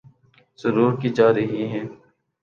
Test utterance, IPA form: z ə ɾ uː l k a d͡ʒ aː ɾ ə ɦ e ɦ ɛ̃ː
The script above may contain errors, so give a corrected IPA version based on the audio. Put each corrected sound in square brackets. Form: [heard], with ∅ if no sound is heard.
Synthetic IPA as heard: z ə ɾ uː [ɾ] k [i] d͡ʒ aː ɾ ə ɦ [i] ɦ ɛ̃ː